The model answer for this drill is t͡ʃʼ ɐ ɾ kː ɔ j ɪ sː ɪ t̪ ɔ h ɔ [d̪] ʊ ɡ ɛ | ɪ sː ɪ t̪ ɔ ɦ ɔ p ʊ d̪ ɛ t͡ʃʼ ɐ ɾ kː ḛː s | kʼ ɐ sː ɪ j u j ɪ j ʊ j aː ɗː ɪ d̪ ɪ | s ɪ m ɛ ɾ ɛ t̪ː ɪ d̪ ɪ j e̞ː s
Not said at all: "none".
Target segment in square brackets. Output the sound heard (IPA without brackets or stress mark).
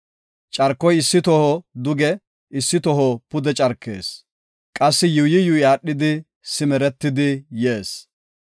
d̪